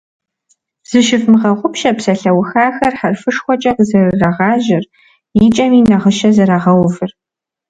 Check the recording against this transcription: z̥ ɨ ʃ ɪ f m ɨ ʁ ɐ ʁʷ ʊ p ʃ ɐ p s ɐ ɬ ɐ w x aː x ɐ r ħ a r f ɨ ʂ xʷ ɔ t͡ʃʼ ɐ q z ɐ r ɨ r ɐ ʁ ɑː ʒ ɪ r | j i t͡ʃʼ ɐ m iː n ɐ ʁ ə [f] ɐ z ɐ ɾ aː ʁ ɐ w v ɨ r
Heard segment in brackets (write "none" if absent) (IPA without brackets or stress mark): ʃ